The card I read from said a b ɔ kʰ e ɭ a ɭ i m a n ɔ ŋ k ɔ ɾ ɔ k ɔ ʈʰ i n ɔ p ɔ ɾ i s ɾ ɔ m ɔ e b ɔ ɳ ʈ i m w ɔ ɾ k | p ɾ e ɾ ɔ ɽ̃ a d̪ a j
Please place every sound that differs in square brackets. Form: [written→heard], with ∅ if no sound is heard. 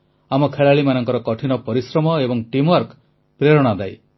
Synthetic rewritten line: a [b→m] ɔ kʰ e ɭ a ɭ i m a n ɔ ŋ k ɔ ɾ ɔ k ɔ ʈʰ i n ɔ p ɔ ɾ i s ɾ ɔ m ɔ e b ɔ [ɳ→ŋ] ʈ i m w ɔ ɾ k | p ɾ e ɾ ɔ ɽ̃ a d̪ a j